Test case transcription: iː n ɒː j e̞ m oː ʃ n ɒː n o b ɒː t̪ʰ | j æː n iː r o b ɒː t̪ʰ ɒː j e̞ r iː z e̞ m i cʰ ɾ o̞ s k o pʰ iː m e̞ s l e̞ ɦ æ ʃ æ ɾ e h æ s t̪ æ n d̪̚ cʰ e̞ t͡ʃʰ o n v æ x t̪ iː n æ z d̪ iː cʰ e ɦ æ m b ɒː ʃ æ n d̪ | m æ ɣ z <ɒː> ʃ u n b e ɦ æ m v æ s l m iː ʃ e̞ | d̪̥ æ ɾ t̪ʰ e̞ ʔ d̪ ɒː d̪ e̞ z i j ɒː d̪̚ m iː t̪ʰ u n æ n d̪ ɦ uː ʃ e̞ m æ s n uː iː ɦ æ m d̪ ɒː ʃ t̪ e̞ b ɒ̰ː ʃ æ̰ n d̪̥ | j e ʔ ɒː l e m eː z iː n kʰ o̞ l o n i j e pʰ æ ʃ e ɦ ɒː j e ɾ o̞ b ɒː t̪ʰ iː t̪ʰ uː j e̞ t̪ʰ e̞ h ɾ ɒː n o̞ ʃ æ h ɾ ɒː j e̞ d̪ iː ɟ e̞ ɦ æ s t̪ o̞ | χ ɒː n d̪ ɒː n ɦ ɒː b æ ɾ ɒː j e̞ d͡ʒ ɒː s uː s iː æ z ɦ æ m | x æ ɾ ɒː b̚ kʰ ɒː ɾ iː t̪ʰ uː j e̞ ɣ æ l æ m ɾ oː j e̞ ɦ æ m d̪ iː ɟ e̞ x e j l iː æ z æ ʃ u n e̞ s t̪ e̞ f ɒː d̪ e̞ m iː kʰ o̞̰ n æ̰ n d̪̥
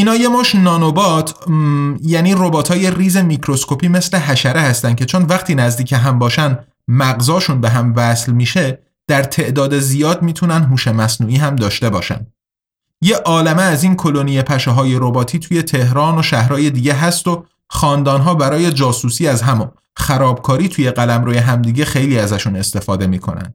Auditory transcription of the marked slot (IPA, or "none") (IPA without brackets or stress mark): ɒː